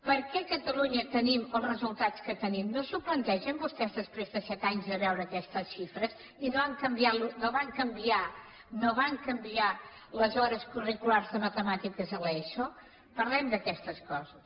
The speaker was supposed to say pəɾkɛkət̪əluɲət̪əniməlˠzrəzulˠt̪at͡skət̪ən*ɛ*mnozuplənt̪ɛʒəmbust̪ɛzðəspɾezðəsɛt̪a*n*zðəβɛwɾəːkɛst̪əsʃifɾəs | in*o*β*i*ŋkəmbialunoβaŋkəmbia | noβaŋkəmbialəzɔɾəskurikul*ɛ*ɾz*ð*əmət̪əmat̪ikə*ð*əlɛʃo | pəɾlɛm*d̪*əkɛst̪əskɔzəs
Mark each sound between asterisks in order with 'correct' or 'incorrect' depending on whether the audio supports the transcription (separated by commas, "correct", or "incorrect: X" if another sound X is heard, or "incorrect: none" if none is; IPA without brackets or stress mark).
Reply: incorrect: i, incorrect: ɲ, correct, incorrect: a, incorrect: a, correct, incorrect: z, correct